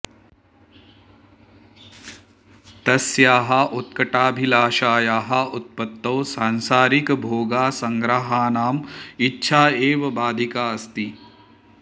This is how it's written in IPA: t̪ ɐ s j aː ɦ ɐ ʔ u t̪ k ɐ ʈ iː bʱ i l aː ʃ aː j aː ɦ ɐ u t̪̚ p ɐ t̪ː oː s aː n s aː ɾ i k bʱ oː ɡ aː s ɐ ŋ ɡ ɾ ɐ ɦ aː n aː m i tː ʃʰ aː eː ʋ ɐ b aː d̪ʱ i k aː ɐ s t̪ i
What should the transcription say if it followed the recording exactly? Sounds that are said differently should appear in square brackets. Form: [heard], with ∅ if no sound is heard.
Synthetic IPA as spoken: t̪ ɐ s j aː ɦ ɐ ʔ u t̪ k ɐ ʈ [aː] bʱ i l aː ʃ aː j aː ɦ ɐ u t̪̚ p ɐ t̪ː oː s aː n s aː ɾ i k bʱ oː ɡ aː s ɐ ŋ ɡ ɾ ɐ ɦ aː n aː m i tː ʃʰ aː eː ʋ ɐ b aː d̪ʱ i k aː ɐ s t̪ i